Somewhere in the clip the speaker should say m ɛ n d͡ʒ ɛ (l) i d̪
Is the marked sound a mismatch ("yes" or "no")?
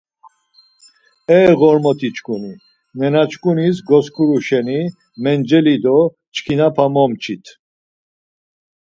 no